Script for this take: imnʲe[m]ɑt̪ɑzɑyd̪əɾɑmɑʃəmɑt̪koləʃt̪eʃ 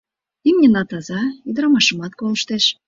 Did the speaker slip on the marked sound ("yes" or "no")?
yes